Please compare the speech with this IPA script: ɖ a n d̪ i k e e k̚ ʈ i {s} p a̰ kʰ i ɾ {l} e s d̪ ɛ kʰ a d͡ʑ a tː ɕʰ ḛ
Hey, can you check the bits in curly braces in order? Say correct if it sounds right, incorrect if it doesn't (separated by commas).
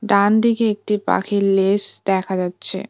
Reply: incorrect, correct